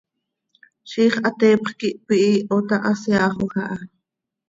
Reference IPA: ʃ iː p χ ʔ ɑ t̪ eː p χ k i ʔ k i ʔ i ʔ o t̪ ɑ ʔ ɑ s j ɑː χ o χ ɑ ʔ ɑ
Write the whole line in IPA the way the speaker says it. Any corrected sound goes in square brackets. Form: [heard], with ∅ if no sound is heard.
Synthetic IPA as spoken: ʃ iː [∅] χ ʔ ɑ t̪ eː p χ k i ʔ [p] i ʔ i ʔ o t̪ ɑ ʔ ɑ s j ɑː χ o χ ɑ ʔ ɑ